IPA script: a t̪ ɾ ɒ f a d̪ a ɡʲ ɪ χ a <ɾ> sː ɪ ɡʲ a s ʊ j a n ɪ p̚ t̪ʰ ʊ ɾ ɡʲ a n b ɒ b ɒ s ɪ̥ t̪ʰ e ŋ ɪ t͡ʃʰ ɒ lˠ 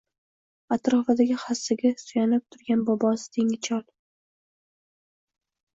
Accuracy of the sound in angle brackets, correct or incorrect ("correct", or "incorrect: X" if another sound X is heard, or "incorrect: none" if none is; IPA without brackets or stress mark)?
incorrect: none